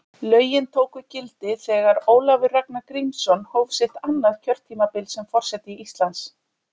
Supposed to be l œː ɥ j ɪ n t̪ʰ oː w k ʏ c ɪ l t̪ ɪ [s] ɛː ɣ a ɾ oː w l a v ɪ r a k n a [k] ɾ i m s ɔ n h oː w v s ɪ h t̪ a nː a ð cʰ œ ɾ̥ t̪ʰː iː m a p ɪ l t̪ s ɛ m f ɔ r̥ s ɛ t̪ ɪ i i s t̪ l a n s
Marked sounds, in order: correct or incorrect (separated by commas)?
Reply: incorrect, correct